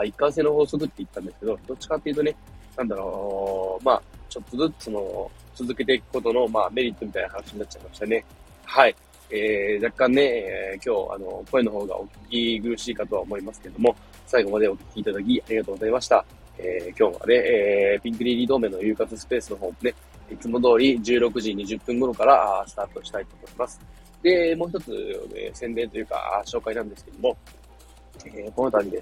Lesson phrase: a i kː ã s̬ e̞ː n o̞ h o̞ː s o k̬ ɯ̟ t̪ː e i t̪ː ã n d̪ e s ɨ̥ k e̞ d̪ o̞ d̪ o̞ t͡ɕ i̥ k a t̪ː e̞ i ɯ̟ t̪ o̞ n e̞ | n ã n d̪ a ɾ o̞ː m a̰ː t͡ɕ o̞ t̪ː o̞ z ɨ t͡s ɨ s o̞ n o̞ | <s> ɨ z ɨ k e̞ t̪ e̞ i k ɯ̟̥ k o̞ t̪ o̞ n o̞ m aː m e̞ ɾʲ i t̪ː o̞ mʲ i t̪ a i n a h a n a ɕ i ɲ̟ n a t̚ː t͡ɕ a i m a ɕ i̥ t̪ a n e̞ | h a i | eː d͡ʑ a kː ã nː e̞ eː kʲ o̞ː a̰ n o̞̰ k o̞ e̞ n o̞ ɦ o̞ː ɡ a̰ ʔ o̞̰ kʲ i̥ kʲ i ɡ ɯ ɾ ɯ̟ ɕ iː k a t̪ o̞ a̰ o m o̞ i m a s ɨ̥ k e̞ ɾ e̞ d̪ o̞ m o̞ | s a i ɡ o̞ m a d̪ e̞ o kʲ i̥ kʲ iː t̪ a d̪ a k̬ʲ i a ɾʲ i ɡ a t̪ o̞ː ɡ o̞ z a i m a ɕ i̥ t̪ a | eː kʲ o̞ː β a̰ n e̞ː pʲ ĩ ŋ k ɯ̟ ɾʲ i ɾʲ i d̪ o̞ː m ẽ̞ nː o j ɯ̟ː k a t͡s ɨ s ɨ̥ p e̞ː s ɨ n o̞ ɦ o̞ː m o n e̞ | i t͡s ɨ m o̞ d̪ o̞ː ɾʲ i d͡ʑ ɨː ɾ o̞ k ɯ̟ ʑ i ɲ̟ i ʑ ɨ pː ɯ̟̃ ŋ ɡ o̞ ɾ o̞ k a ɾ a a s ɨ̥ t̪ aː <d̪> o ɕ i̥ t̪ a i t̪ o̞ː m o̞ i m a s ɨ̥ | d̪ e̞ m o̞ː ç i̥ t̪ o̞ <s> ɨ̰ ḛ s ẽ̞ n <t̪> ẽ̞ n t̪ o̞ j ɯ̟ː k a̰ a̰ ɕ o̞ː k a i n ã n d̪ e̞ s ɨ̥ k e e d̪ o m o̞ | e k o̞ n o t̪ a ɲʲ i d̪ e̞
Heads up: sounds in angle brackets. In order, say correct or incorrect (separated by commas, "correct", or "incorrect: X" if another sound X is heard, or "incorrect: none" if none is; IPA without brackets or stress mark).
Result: incorrect: t͡s, incorrect: t̪, incorrect: t͡s, incorrect: d̪